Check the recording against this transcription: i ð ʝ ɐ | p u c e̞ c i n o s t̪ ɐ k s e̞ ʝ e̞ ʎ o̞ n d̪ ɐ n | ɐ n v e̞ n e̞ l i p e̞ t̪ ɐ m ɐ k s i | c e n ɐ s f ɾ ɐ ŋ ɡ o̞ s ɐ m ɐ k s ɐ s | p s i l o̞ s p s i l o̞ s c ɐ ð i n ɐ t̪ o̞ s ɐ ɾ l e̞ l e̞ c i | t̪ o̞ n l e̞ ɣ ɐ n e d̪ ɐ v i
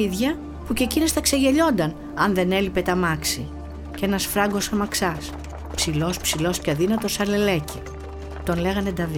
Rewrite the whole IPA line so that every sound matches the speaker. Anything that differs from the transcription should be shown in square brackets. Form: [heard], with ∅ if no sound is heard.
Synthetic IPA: i ð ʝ ɐ | p u c e̞ c i n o s t̪ ɐ k s e̞ ʝ e̞ ʎ o̞ n d̪ ɐ n | ɐ n [ð] e̞ n e̞ l i p e̞ t̪ ɐ m ɐ k s i | c e n ɐ s f ɾ ɐ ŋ ɡ o̞ s ɐ m ɐ k s ɐ s | p s i l o̞ s p s i l o̞ s c ɐ ð i n ɐ t̪ o̞ s ɐ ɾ l e̞ l e̞ c i | t̪ o̞ n l e̞ ɣ ɐ n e d̪ ɐ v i